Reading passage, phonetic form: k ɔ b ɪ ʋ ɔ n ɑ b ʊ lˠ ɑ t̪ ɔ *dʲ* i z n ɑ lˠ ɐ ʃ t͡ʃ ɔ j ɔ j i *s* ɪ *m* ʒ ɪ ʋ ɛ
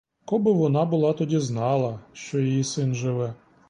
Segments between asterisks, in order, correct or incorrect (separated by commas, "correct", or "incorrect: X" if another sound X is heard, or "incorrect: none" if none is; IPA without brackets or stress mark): correct, correct, incorrect: n